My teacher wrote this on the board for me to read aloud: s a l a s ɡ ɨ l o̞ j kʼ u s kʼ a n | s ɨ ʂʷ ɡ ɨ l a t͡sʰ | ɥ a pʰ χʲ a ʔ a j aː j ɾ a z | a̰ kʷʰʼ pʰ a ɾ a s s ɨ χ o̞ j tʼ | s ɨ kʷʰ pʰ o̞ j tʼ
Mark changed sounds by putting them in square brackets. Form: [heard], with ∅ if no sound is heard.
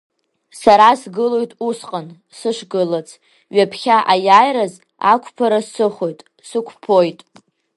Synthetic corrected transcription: s a [ɾ] a s ɡ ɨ l o̞ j [tʼ] u s [qʼ] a n | s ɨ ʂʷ ɡ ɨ l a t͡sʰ | ɥ a pʰ χʲ a ʔ a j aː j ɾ a z | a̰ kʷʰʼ pʰ a ɾ a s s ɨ χ o̞ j tʼ | s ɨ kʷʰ pʰ o̞ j tʼ